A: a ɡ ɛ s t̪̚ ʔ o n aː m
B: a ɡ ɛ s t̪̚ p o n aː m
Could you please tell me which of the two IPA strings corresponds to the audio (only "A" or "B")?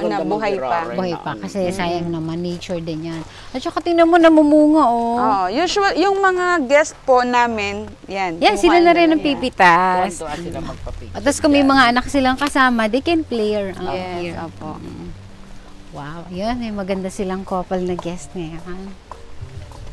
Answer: B